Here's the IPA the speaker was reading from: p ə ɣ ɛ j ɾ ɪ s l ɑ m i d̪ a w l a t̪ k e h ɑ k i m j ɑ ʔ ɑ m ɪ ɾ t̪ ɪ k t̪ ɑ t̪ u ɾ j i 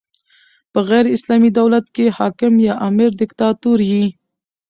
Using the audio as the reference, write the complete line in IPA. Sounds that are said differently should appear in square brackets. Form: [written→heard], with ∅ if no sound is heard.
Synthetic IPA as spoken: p ə ɣ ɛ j ɾ ɪ s l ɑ m i d̪ a w l a t̪ k e h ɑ k [i→ɪ] m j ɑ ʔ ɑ m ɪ ɾ [t̪→d̪] ɪ k t̪ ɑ t̪ u ɾ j i